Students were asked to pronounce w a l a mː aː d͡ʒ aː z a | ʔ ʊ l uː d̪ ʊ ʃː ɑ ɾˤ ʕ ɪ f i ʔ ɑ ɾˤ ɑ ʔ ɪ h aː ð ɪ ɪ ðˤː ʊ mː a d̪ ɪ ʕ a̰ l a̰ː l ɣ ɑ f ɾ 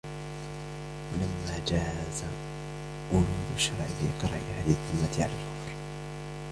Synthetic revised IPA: w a l a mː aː d͡ʒ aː z a | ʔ ʊ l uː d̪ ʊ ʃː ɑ ɾˤ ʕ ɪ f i q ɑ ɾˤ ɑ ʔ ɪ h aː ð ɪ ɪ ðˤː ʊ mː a t̪ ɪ ʕ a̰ l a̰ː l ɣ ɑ f ɾ